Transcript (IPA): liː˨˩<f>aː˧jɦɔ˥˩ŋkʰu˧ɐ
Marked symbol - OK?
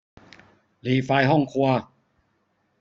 yes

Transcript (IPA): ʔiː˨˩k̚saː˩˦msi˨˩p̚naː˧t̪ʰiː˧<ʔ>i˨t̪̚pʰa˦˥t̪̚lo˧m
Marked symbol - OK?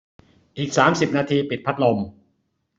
no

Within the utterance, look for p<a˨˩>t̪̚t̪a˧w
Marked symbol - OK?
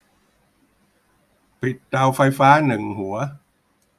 no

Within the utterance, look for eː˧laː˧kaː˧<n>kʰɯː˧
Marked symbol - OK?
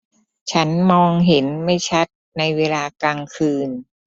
no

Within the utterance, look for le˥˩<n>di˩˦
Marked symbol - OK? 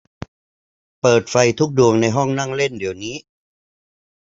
yes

